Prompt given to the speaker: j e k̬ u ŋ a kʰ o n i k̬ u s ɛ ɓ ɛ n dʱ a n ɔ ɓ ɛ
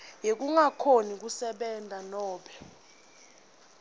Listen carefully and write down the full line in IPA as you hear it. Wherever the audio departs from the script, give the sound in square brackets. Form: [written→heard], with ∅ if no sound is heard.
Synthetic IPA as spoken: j e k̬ u ŋ a kʰ o n i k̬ u s ɛ ɓ ɛ n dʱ a n [ɔ→ɔː] ɓ ɛ